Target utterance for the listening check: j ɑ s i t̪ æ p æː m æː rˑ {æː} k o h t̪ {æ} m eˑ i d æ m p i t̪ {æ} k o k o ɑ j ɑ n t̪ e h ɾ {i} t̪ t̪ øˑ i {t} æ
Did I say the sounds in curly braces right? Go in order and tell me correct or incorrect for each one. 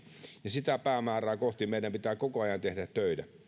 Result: correct, incorrect: i, incorrect: æː, incorrect: æ, correct

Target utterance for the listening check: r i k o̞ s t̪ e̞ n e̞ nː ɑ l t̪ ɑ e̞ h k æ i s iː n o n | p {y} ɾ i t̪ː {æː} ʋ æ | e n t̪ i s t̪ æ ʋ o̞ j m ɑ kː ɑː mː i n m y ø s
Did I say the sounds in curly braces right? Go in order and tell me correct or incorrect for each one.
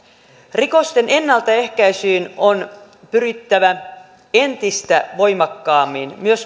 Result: correct, incorrect: æ

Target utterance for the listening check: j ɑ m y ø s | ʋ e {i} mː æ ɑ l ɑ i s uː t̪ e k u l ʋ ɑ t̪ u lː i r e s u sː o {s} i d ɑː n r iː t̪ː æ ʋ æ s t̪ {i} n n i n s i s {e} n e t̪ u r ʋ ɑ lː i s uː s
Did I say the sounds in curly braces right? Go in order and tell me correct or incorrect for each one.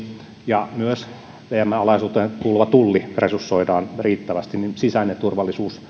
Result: incorrect: æ, incorrect: none, correct, incorrect: æ

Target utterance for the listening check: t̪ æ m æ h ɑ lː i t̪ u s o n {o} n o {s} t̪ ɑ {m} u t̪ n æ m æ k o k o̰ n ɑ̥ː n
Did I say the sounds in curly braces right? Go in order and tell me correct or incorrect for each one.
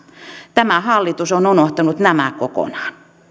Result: incorrect: u, incorrect: h, incorrect: n

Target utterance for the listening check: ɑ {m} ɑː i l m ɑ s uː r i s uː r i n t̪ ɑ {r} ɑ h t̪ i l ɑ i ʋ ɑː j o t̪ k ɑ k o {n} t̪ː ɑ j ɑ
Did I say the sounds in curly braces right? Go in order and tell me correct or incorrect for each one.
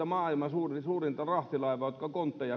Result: correct, correct, correct

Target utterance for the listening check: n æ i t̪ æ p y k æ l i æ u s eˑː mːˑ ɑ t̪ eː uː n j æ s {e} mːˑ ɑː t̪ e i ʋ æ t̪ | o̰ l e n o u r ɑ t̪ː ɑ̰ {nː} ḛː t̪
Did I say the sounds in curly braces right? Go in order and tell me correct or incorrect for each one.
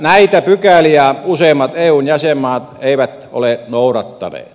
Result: correct, incorrect: n

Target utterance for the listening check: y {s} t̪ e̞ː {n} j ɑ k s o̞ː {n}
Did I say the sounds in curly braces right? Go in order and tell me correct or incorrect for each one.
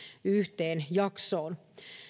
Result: incorrect: h, correct, correct

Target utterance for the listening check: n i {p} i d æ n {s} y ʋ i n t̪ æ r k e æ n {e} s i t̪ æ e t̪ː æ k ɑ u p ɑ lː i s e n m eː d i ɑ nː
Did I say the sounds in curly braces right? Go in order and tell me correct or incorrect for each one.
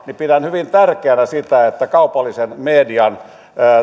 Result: correct, incorrect: h, incorrect: æ

